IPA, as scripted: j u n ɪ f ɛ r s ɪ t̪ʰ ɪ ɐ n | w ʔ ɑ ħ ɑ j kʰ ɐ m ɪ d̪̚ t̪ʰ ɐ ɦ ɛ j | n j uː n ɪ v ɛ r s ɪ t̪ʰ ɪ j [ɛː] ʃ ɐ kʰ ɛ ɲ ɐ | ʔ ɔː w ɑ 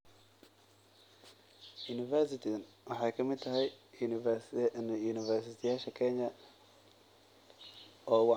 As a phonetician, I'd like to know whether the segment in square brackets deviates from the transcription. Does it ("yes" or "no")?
yes